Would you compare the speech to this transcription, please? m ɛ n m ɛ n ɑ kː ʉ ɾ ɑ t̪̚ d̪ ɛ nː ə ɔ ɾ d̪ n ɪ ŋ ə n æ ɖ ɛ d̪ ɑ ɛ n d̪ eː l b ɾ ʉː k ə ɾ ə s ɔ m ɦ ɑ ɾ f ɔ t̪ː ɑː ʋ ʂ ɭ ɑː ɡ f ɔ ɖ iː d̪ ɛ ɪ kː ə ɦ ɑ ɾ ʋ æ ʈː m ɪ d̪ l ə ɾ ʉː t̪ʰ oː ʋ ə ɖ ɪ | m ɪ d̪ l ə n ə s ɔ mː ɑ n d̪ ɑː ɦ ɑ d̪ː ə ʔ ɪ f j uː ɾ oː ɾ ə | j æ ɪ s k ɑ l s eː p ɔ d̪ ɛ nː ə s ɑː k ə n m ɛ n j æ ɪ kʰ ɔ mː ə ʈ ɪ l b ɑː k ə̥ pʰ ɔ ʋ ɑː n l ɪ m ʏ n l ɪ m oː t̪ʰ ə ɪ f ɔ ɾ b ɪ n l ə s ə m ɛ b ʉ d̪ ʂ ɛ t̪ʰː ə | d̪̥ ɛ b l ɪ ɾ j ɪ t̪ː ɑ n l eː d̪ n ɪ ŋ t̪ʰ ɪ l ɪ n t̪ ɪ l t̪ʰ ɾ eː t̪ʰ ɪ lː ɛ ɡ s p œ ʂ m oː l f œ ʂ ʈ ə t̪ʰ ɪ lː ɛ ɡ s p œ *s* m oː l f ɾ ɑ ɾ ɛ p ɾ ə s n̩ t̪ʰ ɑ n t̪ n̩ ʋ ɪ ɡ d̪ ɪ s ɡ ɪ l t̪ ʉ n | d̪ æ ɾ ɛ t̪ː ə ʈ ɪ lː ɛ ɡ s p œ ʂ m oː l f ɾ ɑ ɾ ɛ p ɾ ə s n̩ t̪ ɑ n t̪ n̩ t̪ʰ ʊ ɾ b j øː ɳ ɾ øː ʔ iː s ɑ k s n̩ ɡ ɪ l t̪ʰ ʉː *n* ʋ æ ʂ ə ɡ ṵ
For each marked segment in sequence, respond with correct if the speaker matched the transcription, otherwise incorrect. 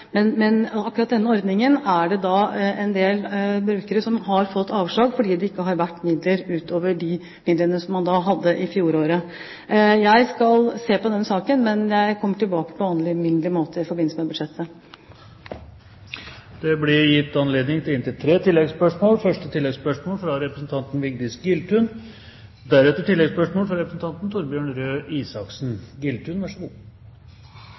incorrect, correct

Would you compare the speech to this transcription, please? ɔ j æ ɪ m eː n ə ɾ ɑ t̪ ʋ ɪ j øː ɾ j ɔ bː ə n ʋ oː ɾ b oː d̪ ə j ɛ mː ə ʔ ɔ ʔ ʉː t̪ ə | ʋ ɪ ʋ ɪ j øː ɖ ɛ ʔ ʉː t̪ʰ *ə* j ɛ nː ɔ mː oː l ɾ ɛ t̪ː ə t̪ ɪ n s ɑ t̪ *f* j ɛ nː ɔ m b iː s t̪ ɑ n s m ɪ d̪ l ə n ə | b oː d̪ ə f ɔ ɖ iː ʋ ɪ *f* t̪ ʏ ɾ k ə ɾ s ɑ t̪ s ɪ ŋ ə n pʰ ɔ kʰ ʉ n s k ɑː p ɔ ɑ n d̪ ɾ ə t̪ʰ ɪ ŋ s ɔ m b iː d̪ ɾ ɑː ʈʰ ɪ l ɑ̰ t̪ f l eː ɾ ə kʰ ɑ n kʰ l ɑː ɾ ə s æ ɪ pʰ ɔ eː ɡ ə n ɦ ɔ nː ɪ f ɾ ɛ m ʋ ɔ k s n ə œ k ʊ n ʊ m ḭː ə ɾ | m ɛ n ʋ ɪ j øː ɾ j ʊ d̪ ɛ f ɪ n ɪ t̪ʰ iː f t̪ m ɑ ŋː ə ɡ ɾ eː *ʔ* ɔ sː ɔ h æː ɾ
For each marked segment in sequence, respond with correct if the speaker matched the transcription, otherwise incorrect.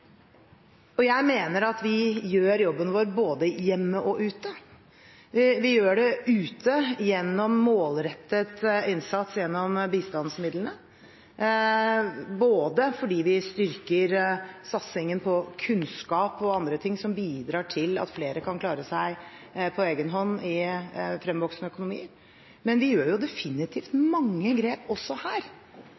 correct, incorrect, incorrect, incorrect

